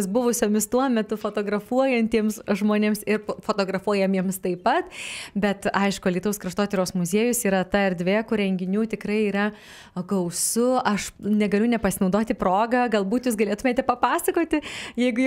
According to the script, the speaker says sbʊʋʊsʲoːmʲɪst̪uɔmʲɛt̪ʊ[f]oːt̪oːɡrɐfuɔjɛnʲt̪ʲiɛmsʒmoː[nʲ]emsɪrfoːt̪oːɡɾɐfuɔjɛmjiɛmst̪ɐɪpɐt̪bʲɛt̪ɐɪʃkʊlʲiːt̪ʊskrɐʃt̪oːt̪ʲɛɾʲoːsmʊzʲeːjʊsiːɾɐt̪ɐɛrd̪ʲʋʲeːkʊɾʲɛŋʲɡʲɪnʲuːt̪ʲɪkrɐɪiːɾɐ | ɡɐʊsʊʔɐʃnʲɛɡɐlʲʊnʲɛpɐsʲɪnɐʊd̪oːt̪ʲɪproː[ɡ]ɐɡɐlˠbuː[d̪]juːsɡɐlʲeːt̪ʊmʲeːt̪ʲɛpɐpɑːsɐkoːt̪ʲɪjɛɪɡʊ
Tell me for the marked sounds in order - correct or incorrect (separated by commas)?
correct, correct, correct, incorrect